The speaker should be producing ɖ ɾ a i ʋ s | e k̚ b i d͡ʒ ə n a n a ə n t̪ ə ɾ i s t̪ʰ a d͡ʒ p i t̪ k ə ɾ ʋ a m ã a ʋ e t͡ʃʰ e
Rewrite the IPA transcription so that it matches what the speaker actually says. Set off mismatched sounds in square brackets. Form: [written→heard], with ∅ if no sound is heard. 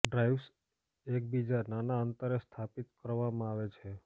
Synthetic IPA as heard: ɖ ɾ a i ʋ s | e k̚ b i d͡ʒ [ə→a] n a n a ə n t̪ ə ɾ [i→e] s t̪ʰ a [d͡ʒ→∅] p i t̪ k ə ɾ ʋ a m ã a ʋ e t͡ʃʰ e